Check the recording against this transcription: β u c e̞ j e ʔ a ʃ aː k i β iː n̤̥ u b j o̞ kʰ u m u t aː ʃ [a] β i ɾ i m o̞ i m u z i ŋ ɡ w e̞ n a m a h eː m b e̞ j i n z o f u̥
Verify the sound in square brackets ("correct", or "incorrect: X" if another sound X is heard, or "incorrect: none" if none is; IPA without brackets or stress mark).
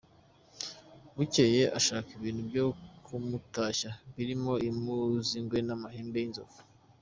correct